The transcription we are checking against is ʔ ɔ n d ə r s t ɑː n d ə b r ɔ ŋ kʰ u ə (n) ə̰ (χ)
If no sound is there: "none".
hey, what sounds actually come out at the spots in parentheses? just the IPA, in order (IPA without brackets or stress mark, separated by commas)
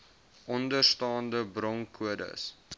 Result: d, s